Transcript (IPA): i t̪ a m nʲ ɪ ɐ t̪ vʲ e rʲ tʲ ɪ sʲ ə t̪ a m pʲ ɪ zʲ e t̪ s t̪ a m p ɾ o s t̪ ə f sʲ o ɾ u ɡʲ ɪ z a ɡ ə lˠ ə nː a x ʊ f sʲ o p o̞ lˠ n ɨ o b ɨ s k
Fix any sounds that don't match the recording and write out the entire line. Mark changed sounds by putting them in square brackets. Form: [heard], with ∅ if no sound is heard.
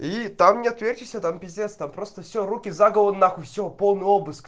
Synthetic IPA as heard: i t̪ a m nʲ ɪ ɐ t̪ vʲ e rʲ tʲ ɪ sʲ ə t̪ a m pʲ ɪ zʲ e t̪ s t̪ a m p ɾ o s t̪ ə f sʲ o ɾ u [kʲ] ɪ z a ɡ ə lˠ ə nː a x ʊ f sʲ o p o̞ lˠ n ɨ o b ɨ s k